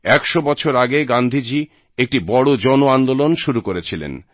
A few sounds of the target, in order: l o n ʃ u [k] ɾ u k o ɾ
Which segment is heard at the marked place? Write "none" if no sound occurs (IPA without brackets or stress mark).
none